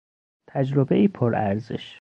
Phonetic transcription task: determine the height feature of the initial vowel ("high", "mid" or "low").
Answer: low